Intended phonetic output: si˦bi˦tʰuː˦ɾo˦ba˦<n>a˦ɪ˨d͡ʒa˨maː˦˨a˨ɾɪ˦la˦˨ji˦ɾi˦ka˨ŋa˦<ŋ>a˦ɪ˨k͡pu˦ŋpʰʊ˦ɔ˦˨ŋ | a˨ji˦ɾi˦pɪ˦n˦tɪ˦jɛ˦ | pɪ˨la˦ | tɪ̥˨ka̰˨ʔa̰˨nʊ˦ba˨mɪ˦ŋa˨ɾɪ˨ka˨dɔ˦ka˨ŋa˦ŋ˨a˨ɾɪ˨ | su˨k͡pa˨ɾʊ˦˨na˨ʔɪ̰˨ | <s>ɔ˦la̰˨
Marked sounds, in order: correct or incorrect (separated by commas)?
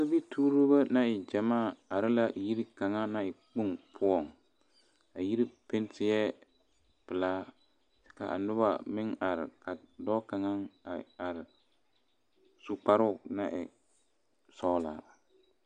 correct, incorrect, correct